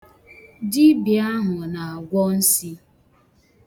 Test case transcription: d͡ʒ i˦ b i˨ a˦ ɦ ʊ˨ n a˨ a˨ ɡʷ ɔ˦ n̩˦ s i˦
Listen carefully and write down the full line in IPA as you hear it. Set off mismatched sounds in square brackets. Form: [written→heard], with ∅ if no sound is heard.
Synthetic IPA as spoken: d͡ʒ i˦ b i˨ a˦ ɦ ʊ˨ n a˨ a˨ ɡʷ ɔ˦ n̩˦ s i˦